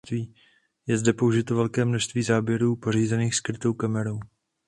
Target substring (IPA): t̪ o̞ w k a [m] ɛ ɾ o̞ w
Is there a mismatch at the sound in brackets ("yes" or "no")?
no